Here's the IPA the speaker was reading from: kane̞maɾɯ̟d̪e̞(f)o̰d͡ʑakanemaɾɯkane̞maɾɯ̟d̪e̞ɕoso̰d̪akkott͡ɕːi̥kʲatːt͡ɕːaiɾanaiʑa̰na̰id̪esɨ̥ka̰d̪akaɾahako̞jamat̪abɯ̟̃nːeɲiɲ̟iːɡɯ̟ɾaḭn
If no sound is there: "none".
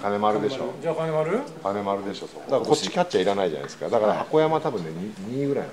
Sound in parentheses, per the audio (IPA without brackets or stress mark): ɕ